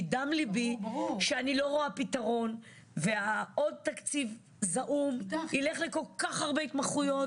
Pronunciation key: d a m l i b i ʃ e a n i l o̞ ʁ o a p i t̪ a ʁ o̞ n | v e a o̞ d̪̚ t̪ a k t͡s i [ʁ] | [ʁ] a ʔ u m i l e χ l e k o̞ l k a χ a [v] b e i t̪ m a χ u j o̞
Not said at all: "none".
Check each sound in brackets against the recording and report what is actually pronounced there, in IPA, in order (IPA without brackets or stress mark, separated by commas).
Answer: v, z, ʁ